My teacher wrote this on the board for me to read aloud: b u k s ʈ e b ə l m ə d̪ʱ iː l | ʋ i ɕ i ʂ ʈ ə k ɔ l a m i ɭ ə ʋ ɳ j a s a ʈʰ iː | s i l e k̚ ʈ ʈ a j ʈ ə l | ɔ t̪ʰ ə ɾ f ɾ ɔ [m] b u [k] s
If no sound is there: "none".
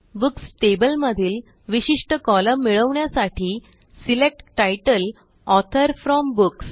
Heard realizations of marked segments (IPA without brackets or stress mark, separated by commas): m, k